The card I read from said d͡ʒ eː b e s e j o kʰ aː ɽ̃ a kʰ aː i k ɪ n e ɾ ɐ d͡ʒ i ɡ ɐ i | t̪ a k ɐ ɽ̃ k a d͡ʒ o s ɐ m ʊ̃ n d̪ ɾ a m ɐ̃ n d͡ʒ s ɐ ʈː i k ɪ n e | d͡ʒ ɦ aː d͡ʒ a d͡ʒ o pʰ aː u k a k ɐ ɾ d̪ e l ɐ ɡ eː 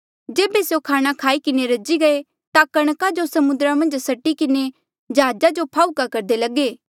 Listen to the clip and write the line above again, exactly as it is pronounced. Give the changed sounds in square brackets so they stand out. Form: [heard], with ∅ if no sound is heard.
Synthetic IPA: d͡ʒ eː b e s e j o kʰ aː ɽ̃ a kʰ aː i k ɪ n e ɾ ɐ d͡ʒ i ɡ ɐ [e] | t̪ a k ɐ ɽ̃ k a d͡ʒ o s ɐ m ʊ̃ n d̪ ɾ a m ɐ̃ n d͡ʒ s ɐ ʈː i k ɪ n e | d͡ʒ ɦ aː d͡ʒ a d͡ʒ o pʰ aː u k a k ɐ ɾ d̪ e l ɐ ɡ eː